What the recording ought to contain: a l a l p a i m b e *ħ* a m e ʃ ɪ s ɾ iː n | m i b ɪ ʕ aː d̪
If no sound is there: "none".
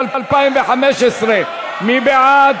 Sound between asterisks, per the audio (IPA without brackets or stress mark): ħ